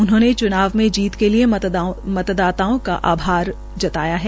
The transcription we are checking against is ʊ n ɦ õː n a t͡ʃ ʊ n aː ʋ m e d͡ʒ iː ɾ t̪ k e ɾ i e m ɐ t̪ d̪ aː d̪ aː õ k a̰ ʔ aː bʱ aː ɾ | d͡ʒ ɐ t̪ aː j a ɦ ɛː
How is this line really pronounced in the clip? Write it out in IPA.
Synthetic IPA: ʊ n ɦ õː n e t͡ʃ ʊ n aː ʋ m ẽ d͡ʒ iː t̪ k e l i e m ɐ t̪ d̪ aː t̪ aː õ k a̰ ʔ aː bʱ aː ɾ | d͡ʒ ɐ t̪ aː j a ɦ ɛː